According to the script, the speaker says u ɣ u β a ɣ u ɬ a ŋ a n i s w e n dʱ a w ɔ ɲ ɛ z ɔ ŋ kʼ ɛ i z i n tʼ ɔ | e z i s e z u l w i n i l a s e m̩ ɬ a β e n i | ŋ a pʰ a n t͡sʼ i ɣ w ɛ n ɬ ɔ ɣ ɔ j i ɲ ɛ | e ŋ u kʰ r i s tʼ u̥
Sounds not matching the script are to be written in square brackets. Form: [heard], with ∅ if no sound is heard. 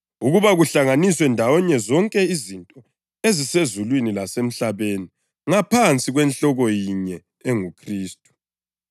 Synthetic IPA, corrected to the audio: u ɣ u β a ɣ u ɬ a ŋ a n i s w [ɛ] n dʱ a w ɔ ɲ ɛ z ɔ ŋ kʼ ɛ i z i n tʼ ɔ | e z i s e z u l w i n i l a s e m̩ ɬ a β e n i | ŋ a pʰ a n t͡sʼ i ɣ w ɛ n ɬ ɔ ɣ ɔ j i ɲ ɛ | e ŋ u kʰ r [iː] s tʼ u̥